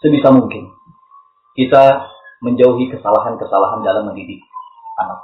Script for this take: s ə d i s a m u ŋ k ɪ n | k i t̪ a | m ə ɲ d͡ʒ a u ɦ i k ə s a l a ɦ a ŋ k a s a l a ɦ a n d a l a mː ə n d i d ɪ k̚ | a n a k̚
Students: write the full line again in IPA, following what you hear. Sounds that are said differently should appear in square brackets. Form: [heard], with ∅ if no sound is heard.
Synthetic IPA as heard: s ə [b] i s a m u ŋ k ɪ n | k i t̪ a | m ə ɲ d͡ʒ a u ɦ i k ə s a l a ɦ a [n] k [ə] s a l a ɦ a n d a l a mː ə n d i d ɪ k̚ | a n a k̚